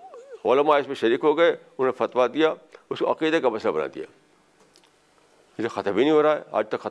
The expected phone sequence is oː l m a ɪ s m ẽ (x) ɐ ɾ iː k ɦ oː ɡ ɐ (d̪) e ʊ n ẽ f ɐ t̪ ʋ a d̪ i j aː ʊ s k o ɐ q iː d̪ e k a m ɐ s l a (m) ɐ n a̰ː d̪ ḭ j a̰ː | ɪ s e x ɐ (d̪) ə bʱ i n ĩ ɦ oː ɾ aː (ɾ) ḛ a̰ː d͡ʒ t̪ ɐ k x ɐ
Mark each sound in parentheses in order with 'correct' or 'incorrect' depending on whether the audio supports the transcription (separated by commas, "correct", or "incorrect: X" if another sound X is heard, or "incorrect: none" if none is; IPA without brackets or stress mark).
incorrect: ʃ, incorrect: none, incorrect: b, incorrect: t̪, incorrect: none